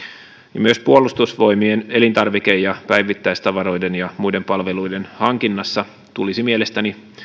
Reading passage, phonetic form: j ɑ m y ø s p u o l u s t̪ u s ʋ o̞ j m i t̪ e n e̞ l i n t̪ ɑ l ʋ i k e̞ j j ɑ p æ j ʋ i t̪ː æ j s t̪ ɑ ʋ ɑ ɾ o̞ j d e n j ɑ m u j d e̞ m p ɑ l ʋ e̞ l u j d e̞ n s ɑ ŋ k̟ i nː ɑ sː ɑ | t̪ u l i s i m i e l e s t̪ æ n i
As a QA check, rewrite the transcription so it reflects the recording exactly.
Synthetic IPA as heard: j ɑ m y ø s p u o l u s t̪ u s ʋ o̞ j m i e n e̞ l i n t̪ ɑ r ʋ i k e̞ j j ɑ p æ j ʋ i t̪ː æ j s t̪ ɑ ʋ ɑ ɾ o̞ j d e n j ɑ m u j d e̞ m p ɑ l ʋ e̞ l u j d e̞ n h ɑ ŋ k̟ i nː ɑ sː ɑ | t̪ u l i s i m i e l e s t̪ æ n i